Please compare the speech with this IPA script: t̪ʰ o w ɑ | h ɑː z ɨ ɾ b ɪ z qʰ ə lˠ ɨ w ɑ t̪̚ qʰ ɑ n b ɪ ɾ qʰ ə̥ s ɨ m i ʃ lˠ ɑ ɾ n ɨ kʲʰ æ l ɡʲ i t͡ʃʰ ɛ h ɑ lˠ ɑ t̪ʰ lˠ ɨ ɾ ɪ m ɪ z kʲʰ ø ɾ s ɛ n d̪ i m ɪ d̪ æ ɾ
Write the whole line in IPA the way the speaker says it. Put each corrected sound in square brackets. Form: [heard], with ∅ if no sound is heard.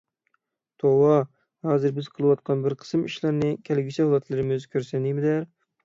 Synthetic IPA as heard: t̪ʰ o w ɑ | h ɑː z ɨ ɾ b ɪ z qʰ ə lˠ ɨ w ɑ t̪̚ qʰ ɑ n b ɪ ɾ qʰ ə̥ s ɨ m i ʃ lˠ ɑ ɾ n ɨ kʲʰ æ l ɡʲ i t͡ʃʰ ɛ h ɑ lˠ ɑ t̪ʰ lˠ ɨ ɾ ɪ m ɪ z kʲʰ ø ɾ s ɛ n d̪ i m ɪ d̪ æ ɾ